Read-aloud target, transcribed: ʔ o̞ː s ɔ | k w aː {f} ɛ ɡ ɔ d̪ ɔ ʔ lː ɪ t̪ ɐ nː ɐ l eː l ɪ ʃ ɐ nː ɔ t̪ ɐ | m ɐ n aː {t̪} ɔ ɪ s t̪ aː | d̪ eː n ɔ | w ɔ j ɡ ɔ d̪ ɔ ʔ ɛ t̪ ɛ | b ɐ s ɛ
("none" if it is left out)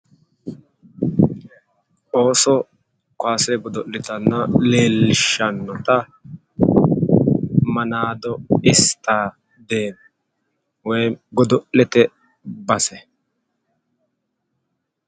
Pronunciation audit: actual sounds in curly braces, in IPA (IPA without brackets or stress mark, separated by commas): s, d̪